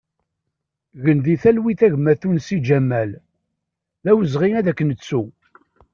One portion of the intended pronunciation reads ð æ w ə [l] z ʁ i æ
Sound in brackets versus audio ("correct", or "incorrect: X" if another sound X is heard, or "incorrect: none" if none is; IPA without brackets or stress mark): incorrect: none